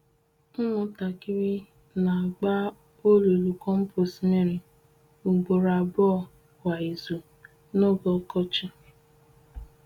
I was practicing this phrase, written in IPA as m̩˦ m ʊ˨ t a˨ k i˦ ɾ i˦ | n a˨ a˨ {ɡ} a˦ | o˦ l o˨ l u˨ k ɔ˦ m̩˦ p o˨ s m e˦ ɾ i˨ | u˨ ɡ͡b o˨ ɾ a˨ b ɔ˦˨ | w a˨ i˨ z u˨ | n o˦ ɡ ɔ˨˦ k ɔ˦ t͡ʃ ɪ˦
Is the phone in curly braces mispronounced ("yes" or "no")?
yes